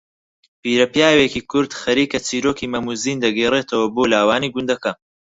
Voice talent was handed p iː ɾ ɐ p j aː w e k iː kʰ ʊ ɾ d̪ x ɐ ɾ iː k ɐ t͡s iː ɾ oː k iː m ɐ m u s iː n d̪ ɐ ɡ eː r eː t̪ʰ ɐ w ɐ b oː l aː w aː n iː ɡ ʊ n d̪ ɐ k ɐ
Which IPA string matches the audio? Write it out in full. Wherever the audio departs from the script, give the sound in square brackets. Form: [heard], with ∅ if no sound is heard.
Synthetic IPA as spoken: p iː ɾ ɐ p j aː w e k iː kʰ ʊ ɾ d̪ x ɐ ɾ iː k ɐ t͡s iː ɾ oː k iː m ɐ m u [z] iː n d̪ ɐ ɡ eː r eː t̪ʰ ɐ w ɐ b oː l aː w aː n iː ɡ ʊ n d̪ ɐ k ɐ